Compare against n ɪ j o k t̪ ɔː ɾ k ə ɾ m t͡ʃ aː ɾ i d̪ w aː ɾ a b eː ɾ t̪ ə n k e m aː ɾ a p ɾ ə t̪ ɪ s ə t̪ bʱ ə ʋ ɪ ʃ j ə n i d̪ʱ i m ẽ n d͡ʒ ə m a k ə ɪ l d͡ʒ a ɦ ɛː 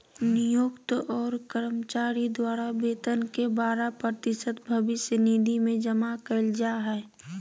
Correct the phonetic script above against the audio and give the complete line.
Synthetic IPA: n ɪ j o k t̪ ɔː ɾ k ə ɾ m t͡ʃ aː ɾ i d̪ w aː ɾ a b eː t̪ ə n k e b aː ɾ a p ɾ ə t̪ ɪ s ə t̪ bʱ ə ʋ ɪ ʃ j ə n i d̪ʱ i m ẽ d͡ʒ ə m a k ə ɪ l d͡ʒ a ɦ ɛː